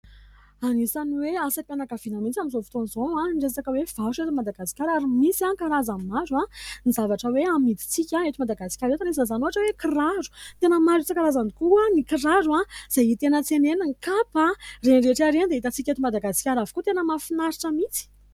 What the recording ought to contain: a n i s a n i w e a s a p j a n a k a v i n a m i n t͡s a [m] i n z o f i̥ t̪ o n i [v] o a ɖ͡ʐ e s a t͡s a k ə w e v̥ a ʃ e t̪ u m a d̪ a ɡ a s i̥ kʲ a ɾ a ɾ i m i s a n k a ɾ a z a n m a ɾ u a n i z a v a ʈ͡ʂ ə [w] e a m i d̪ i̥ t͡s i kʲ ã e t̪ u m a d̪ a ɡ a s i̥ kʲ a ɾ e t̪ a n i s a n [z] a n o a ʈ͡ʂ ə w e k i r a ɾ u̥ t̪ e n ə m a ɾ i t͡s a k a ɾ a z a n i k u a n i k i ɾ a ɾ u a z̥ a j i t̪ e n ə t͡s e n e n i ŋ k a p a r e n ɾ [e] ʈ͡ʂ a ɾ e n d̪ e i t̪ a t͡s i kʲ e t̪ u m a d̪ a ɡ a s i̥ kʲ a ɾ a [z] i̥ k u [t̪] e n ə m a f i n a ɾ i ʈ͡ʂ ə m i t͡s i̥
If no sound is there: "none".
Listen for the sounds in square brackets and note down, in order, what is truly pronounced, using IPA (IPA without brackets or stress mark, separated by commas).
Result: m, z, w, z, e, v, t̪